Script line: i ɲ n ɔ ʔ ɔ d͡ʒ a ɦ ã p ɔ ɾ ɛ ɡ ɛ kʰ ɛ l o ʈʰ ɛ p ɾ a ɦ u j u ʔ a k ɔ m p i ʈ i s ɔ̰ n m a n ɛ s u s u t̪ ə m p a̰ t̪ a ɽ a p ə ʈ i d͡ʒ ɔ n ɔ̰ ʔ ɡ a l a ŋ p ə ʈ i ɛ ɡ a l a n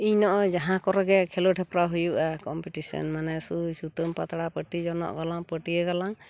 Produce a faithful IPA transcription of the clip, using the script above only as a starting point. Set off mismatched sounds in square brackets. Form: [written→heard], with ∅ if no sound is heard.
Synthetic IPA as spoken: i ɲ n ɔ ʔ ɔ d͡ʒ a ɦ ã [p→k] ɔ ɾ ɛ ɡ ɛ kʰ ɛ l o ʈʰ ɛ p ɾ a ɦ u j u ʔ a k ɔ m p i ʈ i s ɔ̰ n m a n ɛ s u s u t̪ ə m p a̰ t̪ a ɽ a p ə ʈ i d͡ʒ ɔ n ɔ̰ ʔ ɡ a l a ŋ p ə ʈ i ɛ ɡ a l a [n→ŋ]